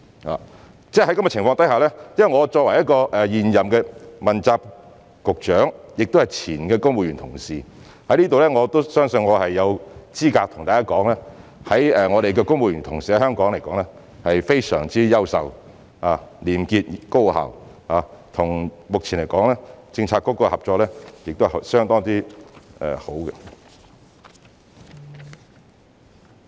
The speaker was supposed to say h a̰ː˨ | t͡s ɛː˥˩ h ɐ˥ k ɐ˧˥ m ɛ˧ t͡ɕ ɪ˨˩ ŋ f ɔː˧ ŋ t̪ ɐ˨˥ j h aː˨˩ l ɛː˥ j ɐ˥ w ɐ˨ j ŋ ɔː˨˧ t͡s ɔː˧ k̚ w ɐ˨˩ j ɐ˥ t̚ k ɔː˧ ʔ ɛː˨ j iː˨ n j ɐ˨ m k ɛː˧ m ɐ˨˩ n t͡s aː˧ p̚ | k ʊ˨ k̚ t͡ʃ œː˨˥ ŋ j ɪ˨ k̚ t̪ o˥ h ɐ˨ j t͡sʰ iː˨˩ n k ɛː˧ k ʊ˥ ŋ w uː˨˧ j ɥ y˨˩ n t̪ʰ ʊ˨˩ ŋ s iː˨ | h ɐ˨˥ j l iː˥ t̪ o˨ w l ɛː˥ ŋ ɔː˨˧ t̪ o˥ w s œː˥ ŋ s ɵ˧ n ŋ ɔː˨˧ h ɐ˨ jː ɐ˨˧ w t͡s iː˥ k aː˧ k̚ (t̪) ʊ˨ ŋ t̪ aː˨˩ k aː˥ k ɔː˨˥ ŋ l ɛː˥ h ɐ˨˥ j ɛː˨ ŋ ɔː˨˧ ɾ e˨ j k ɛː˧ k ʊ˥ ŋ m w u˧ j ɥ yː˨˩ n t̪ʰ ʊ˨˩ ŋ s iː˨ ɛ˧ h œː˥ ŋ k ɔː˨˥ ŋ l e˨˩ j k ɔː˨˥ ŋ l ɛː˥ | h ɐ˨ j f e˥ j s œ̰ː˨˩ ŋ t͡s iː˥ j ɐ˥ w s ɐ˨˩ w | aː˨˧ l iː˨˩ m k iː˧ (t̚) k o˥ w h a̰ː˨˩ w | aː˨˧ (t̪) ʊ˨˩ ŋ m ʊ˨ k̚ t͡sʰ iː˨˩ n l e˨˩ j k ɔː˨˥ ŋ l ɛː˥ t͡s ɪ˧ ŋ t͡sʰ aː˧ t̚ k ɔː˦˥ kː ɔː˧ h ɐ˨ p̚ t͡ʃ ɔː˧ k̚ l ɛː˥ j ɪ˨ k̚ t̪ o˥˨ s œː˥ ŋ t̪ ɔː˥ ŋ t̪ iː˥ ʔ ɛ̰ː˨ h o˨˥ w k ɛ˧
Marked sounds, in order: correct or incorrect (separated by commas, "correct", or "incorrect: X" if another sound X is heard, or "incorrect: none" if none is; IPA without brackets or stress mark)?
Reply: incorrect: t̪ʰ, correct, incorrect: t̪ʰ